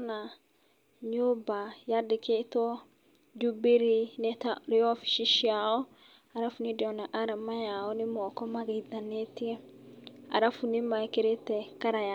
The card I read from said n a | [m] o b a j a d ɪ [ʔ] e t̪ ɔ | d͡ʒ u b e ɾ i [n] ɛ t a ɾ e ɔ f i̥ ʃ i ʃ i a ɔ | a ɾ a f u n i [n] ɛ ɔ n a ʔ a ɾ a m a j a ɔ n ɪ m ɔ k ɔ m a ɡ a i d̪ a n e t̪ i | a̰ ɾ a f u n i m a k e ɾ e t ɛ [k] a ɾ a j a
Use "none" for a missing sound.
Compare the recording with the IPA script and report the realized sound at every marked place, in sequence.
ɲ, k, n, d, k

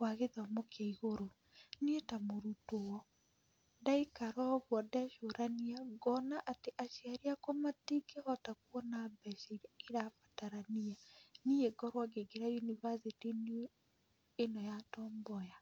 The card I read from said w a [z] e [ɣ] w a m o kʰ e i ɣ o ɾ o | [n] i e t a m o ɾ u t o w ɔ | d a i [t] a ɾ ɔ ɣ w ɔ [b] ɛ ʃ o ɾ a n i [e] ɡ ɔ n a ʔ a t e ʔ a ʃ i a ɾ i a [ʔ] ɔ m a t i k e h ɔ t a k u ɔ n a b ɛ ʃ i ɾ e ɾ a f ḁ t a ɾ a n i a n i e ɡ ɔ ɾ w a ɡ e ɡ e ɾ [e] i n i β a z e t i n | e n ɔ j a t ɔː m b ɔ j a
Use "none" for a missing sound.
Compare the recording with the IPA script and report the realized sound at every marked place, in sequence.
ɣ, ð, n, k, d, a, k, a

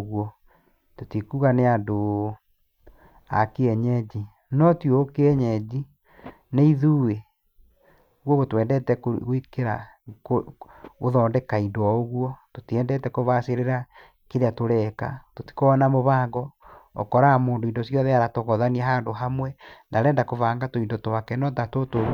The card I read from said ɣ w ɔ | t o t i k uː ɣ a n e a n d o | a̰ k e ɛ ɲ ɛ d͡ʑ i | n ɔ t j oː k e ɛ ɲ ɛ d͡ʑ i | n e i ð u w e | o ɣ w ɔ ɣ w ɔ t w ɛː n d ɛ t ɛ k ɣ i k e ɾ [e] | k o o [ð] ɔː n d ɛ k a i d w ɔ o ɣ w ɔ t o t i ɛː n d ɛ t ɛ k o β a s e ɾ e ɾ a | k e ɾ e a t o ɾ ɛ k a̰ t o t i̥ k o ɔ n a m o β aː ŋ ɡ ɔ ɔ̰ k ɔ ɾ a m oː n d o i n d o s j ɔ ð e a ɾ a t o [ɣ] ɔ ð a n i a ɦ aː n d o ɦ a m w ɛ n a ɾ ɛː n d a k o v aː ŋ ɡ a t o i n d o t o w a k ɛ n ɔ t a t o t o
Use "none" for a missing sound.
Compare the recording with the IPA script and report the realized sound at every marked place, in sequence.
a, ð, ɣ

